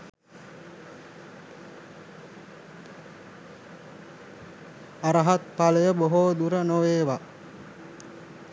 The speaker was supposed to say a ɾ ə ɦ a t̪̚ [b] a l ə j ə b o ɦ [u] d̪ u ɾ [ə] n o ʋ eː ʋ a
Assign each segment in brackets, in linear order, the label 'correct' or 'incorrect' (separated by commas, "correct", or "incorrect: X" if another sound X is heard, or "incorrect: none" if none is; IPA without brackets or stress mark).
incorrect: p, incorrect: o, correct